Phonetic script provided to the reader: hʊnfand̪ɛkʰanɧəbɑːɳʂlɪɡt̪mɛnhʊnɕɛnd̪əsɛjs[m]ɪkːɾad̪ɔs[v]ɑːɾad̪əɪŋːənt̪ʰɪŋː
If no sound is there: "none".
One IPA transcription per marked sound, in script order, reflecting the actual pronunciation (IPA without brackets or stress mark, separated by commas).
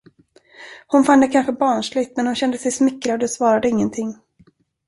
m, v